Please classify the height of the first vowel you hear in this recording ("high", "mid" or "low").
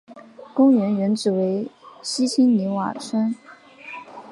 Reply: high